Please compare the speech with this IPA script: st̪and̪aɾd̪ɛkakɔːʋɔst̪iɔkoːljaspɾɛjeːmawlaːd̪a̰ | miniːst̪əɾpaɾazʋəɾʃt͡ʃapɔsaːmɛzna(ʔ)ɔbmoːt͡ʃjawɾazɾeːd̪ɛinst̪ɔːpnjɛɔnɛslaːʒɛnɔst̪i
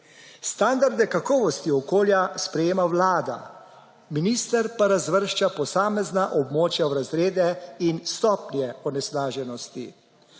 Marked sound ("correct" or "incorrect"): correct